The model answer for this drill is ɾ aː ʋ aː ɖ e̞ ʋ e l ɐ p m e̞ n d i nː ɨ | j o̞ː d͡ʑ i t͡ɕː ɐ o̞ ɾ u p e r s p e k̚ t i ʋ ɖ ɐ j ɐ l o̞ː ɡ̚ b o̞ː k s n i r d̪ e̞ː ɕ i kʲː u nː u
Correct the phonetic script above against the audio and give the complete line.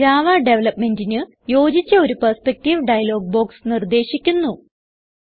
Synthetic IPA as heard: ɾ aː ʋ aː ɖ e̞ ʋ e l ɐ p m e̞ n d i n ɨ | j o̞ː d͡ʑ i t͡ɕː ɐ o̞ ɾ u p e r s p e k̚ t i ʋ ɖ ɐ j ɐ l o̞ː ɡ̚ b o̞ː k s n i r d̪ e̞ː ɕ i kʲː u nː u